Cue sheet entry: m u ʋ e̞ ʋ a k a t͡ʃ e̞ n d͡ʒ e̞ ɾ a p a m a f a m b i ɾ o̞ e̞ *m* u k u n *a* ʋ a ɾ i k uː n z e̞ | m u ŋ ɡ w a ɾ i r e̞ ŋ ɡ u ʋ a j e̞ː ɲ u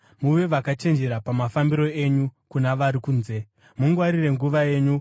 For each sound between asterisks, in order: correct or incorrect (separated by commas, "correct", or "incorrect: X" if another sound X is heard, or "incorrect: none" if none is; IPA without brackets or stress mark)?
incorrect: ɲ, correct